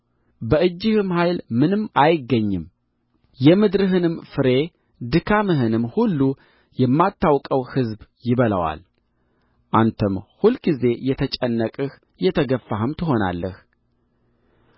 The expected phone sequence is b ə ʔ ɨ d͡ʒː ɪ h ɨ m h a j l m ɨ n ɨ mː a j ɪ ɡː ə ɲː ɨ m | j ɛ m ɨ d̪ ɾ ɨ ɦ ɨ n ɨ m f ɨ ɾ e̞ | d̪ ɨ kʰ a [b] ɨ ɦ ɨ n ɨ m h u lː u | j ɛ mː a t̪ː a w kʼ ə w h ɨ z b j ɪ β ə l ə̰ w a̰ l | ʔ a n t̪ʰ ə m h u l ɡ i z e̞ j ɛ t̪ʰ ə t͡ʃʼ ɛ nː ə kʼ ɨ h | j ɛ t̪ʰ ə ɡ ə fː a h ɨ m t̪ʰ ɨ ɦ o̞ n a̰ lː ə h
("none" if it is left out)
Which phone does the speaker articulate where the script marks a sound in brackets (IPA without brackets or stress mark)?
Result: m